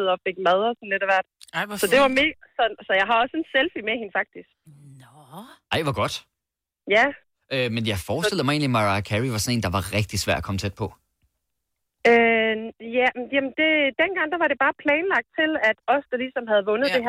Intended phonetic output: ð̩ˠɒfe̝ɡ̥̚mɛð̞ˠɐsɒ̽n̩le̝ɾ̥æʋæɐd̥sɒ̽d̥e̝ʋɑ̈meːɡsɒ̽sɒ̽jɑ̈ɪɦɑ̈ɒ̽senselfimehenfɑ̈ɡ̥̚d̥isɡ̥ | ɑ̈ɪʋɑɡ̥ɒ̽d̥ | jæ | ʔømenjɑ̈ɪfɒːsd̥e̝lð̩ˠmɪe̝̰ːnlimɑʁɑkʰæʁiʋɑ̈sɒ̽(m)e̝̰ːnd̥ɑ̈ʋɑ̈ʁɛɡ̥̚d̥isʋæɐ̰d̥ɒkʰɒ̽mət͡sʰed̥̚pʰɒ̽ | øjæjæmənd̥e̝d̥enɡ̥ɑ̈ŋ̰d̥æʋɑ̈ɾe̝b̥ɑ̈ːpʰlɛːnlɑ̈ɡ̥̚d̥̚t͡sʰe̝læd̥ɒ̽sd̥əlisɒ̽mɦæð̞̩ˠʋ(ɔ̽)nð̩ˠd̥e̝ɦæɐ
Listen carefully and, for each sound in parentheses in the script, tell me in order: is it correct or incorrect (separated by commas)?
incorrect, correct